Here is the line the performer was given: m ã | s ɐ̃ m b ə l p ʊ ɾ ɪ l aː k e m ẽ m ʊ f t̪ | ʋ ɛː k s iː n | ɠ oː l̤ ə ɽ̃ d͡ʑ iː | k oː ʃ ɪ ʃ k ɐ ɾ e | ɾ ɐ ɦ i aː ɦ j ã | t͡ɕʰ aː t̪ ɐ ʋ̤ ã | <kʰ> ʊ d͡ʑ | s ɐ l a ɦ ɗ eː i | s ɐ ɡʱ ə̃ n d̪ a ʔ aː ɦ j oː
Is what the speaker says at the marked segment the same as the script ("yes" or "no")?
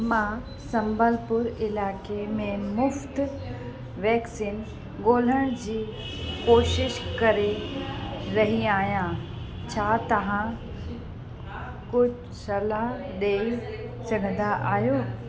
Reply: no